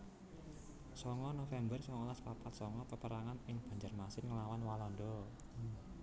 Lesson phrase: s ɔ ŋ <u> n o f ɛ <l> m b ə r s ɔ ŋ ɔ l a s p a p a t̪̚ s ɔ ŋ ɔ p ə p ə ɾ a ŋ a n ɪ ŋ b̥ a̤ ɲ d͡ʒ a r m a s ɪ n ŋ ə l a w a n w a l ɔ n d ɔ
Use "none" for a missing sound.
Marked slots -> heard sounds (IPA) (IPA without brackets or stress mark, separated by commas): ɔ, none